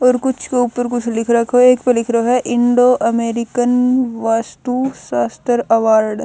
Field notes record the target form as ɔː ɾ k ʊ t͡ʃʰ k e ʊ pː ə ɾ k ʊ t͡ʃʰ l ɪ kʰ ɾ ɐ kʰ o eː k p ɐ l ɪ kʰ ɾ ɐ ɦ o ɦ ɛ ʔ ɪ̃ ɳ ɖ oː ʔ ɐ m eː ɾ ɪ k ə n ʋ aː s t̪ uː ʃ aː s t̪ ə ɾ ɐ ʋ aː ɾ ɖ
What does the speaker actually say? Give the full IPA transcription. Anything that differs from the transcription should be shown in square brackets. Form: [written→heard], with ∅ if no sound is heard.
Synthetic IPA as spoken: ɔː ɾ k ʊ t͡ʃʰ k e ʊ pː ə ɾ k ʊ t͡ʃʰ l ɪ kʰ ɾ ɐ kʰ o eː k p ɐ l ɪ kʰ ɾ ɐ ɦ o ɦ ɛ ʔ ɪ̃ ɳ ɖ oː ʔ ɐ m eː ɾ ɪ k ə n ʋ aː s t̪ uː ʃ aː s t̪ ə ɾ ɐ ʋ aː ɾ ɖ